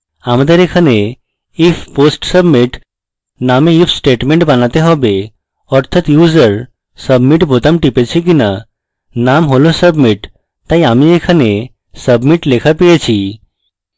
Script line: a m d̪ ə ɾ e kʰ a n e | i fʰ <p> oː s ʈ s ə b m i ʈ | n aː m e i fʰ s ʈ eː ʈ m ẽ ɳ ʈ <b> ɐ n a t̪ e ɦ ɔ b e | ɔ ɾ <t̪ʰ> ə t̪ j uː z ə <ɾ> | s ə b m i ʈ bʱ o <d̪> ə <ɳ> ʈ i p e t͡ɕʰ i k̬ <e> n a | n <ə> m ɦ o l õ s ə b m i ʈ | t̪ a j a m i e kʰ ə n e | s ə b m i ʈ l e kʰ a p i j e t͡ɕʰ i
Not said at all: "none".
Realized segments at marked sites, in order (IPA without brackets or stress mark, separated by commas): p, b, t̪ʰ, ɾ, t̪, m, i, a